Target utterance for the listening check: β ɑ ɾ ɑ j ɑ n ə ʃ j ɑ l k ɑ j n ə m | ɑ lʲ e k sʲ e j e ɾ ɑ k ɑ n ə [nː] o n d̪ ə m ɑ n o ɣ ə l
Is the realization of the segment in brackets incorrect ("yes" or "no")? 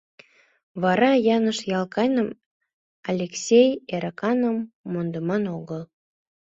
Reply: yes